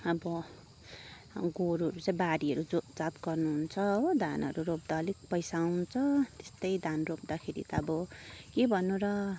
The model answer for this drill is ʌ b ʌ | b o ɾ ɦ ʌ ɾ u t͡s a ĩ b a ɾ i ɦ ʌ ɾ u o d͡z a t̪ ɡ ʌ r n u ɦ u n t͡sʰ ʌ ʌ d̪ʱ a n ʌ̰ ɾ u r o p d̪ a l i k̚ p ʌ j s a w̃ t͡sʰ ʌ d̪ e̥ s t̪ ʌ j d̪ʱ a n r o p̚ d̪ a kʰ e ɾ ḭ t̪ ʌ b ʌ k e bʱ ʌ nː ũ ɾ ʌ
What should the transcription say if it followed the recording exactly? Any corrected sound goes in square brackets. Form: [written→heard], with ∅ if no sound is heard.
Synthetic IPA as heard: ʌ b ʌ | [b→ɡ] o ɾ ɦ ʌ ɾ u t͡s a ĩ b a ɾ i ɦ ʌ ɾ u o d͡z a t̪ ɡ ʌ r n u ɦ u n t͡sʰ ʌ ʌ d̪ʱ a n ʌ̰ ɾ u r o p d̪ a l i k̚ p ʌ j s a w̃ t͡sʰ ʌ [d̪→t̪] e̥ s t̪ ʌ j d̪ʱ a n r o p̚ d̪ a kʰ e ɾ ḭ t̪ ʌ b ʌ k e bʱ ʌ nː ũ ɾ ʌ